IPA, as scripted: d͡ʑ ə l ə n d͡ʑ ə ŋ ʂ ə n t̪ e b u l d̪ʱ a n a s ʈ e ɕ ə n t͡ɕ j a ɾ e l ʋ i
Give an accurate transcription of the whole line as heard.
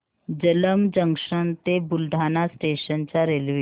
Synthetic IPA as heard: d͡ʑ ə l ə m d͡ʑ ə ŋ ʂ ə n t̪ e b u l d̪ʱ a n a s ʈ e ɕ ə n t͡ɕ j a ɾ e l ʋ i